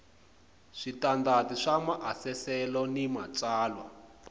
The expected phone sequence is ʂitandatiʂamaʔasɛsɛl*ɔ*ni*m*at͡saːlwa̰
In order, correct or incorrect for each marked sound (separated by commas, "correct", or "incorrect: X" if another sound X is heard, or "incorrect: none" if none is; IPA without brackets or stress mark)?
correct, correct